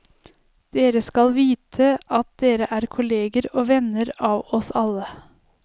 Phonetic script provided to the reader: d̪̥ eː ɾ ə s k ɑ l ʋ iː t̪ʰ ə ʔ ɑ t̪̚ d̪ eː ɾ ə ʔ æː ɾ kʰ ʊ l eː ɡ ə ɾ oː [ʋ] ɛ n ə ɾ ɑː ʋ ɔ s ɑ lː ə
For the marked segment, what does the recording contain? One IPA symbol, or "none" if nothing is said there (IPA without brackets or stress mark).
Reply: ʋ